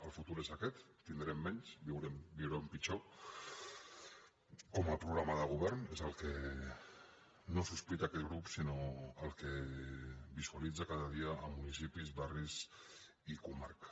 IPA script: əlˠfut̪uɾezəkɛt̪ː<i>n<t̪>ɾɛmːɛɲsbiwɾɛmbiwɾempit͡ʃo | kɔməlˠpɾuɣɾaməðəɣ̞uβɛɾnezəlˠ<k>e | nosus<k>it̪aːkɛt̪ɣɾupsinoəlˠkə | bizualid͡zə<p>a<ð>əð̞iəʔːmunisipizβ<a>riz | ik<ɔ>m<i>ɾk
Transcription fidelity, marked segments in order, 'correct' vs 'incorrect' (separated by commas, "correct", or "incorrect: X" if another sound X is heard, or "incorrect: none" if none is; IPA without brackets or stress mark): correct, incorrect: d̪, correct, incorrect: p, incorrect: k, correct, correct, incorrect: u, incorrect: a